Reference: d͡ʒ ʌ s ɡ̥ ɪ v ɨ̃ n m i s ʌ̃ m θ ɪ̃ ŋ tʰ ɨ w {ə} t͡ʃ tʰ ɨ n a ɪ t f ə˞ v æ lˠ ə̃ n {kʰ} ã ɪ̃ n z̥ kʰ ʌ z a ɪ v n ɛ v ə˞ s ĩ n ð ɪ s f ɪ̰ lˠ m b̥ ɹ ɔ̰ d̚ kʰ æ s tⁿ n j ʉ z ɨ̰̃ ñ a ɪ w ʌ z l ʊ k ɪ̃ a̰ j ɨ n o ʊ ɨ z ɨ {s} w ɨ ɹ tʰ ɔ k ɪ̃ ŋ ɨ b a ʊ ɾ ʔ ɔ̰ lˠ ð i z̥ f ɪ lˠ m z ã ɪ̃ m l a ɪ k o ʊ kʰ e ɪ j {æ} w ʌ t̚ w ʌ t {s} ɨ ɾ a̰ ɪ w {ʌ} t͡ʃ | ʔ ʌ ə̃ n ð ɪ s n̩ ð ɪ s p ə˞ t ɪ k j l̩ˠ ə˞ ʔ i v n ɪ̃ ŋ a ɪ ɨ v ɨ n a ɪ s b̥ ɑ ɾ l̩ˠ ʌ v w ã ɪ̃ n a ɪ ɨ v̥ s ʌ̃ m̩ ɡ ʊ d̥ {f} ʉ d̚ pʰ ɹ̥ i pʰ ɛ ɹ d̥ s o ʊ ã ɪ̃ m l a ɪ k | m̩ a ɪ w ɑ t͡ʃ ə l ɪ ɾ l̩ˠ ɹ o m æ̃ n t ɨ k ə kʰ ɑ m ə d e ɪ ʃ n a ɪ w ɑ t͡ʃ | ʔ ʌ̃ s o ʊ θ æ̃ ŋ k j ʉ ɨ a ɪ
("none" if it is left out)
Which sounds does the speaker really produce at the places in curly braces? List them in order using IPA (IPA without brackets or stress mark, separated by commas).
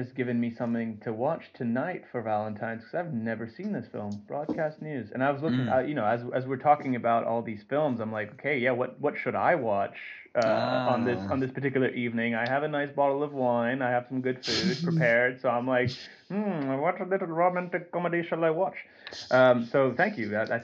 ɑ, tʰ, z, æ, ʃ, ɑ, f